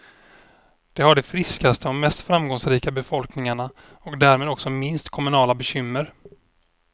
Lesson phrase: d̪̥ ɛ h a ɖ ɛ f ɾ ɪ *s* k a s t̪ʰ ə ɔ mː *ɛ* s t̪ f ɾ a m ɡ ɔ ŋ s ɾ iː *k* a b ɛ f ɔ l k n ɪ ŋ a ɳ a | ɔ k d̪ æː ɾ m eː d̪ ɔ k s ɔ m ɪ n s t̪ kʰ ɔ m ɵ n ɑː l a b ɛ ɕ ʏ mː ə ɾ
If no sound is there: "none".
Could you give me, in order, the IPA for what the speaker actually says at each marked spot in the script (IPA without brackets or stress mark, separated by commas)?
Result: s, ɛ, k